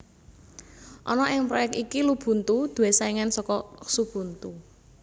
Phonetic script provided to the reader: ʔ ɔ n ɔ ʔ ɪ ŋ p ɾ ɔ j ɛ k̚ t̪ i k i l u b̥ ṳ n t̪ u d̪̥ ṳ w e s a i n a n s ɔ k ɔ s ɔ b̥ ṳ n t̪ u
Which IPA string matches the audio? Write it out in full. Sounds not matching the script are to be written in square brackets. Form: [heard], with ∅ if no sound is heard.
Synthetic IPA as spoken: ʔ ɔ n ɔ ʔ ɪ ŋ p ɾ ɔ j ɛ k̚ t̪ i k i l u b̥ ṳ n t̪ u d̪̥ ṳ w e s a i [ŋ] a n s ɔ k ɔ s [u] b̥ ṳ n t̪ u